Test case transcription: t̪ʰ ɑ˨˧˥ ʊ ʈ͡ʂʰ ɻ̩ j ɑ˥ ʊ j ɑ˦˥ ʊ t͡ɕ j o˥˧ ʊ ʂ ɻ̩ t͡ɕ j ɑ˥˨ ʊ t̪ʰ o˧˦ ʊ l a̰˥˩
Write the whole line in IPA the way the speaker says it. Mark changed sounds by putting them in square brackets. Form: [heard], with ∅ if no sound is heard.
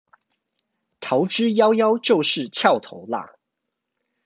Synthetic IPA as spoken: t̪ʰ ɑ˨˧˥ ʊ [ʈ͡ʂ] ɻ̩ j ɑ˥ ʊ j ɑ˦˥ ʊ t͡ɕ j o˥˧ ʊ ʂ ɻ̩ [t͡ɕʰ] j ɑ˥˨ ʊ t̪ʰ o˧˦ ʊ l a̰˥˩